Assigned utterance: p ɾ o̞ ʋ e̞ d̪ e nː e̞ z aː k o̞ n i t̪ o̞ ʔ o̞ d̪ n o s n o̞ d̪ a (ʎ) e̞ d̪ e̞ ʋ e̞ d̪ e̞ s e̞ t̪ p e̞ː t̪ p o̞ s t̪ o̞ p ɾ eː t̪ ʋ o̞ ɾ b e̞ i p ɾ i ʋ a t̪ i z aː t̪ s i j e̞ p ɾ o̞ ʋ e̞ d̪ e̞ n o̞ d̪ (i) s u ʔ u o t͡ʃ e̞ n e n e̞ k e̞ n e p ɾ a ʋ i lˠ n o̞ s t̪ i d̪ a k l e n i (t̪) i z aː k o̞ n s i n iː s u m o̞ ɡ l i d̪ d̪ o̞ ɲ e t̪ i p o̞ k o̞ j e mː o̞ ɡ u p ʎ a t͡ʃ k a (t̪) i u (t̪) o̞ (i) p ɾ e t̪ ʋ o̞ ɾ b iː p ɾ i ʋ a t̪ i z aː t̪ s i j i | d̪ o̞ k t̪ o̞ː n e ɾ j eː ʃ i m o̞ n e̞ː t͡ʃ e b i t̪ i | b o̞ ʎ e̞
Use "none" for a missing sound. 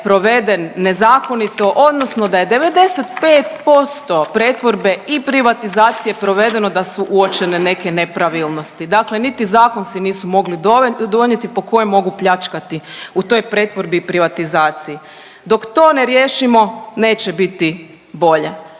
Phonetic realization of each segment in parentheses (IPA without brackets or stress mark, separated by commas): j, a, t̪, t̪, t̪, j